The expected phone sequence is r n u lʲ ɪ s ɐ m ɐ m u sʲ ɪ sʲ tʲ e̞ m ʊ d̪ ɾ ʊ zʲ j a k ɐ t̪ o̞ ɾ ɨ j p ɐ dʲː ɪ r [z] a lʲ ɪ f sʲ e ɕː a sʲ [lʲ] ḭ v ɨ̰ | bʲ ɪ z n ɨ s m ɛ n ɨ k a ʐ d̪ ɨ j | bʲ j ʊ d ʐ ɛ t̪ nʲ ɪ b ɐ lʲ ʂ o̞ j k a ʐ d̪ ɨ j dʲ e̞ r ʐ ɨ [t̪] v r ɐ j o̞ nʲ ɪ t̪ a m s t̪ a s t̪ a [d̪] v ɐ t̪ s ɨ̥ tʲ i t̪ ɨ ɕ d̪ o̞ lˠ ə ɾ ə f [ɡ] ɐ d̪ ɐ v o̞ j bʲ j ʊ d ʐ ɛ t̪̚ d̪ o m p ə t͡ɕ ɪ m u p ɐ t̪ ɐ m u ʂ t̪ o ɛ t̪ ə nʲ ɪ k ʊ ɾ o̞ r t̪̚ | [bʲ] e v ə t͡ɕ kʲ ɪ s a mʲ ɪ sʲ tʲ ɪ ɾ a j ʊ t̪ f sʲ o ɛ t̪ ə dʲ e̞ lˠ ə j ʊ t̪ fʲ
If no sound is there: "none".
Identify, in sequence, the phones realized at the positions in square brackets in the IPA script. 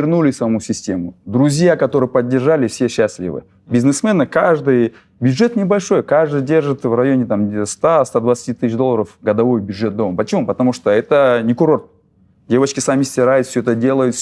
ʐ, lʲ, t̪, d̪, ɡ, dʲ

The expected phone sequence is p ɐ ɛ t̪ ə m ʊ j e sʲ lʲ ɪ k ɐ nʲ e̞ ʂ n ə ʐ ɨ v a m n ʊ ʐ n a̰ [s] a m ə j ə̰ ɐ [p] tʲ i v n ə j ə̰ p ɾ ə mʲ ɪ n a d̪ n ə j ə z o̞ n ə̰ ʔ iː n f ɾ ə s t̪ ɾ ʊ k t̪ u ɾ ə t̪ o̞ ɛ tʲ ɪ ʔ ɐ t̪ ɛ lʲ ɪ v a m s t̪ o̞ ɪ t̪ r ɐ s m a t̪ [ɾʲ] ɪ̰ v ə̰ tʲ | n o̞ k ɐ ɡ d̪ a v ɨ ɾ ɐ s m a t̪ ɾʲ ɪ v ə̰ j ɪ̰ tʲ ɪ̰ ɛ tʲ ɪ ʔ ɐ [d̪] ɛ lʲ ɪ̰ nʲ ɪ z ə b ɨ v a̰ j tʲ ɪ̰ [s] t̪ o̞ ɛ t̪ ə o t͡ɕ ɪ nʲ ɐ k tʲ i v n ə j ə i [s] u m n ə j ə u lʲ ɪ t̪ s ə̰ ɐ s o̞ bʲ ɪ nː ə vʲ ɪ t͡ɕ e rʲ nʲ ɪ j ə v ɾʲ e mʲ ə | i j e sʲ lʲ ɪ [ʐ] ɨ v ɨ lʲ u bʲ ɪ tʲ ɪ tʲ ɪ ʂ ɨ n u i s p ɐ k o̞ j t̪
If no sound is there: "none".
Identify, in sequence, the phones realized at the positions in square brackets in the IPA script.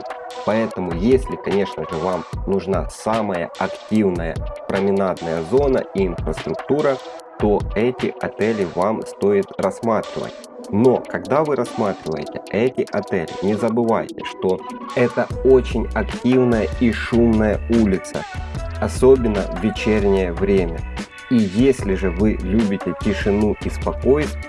s, k, ɾʲ, t̪, ʂ, ʂ, ʐ

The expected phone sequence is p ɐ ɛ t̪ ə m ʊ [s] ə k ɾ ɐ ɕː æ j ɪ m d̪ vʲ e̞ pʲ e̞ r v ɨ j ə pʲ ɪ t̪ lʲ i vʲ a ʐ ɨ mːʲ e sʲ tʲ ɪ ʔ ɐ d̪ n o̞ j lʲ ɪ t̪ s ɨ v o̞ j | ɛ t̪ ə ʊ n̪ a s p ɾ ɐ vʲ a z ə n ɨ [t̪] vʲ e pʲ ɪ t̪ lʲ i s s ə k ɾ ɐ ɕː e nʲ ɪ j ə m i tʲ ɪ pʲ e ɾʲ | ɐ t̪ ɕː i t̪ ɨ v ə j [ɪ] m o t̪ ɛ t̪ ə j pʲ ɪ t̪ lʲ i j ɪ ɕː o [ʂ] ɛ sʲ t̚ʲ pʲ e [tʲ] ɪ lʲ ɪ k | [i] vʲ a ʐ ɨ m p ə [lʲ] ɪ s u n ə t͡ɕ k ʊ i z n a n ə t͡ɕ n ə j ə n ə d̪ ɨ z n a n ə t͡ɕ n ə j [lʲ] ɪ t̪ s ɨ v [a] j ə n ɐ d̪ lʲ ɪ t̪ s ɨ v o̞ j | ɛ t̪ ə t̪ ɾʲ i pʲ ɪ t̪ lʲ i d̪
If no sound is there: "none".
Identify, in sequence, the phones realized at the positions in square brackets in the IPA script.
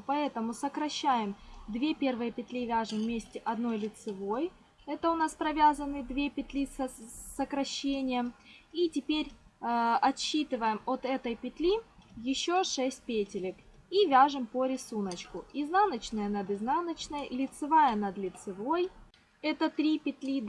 s, d̪, ɪ, ʂ, tʲ, i, ɾʲ, lʲ, a

